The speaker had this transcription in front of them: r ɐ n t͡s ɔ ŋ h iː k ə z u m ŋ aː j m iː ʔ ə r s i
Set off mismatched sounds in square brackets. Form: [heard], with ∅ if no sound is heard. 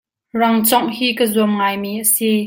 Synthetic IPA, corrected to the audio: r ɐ [ŋ] t͡s ɔ ŋ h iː k ə z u m ŋ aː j m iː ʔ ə [∅] s i